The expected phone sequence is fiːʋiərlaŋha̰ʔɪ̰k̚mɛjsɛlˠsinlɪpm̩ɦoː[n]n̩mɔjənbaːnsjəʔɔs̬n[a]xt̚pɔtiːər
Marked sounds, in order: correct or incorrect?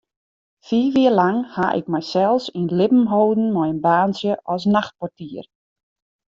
incorrect, correct

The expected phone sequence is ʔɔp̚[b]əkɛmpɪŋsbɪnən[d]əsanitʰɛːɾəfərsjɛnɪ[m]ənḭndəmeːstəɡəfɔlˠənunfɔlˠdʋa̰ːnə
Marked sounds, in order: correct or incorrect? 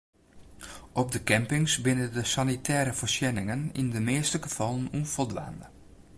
incorrect, correct, incorrect

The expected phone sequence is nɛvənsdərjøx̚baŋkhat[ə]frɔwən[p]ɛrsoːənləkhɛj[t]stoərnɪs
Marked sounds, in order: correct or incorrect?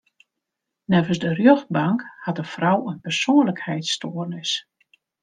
correct, correct, correct

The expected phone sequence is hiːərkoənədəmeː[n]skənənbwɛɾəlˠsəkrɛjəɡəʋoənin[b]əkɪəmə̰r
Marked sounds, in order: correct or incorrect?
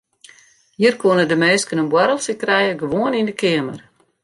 incorrect, incorrect

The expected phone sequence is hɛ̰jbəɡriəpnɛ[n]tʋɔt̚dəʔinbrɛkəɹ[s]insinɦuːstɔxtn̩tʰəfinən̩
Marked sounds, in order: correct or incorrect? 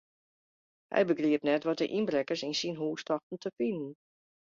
incorrect, correct

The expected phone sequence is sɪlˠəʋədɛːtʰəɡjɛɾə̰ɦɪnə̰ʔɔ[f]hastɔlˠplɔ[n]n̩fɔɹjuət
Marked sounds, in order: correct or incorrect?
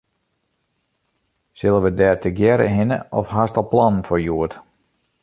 correct, correct

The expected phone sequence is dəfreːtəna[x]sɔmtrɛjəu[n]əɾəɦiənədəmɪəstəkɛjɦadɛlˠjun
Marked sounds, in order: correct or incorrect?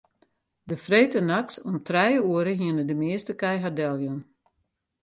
incorrect, incorrect

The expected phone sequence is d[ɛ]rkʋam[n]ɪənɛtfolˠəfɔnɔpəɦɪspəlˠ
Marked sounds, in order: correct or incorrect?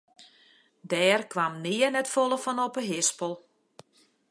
incorrect, correct

